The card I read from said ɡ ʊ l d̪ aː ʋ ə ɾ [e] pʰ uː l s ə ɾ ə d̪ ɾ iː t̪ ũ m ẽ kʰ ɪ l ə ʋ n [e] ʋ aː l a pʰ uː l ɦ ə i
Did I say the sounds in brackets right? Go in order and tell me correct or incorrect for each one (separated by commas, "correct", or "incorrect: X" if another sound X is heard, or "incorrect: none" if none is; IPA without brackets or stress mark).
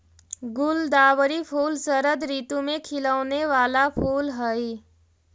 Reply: incorrect: i, correct